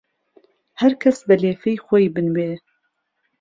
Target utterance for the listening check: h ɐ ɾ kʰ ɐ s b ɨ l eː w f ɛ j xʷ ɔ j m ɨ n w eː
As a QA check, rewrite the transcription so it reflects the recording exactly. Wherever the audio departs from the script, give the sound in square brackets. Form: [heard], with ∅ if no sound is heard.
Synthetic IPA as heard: h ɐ ɾ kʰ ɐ s b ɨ l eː [∅] f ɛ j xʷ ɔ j [b] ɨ n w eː